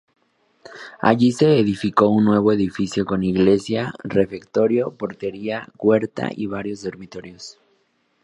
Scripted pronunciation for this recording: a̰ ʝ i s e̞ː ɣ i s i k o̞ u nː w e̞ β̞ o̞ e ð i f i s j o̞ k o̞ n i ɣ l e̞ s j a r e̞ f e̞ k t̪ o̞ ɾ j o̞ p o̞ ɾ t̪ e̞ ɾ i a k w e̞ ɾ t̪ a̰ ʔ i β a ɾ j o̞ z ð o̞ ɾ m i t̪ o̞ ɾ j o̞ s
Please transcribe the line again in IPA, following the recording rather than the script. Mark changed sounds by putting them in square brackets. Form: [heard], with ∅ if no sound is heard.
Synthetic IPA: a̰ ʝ i s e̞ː [ð] i [f] i k o̞ u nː w e̞ β̞ o̞ e ð i f i s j o̞ k o̞ n i ɣ l e̞ s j a r e̞ f e̞ k t̪ o̞ ɾ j o̞ p o̞ ɾ t̪ e̞ ɾ i a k w e̞ ɾ t̪ a̰ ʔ i β a ɾ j o̞ z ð o̞ ɾ m i t̪ o̞ ɾ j o̞ s